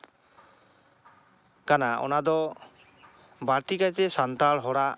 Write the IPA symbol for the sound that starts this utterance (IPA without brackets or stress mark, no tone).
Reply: k